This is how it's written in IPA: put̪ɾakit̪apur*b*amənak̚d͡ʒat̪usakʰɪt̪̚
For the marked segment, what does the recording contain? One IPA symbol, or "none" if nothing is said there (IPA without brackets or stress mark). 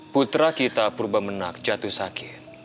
b